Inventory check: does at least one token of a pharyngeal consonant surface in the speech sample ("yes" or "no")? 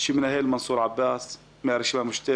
yes